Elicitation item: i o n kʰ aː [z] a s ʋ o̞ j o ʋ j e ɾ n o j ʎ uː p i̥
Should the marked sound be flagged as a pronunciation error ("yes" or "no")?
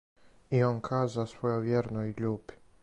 no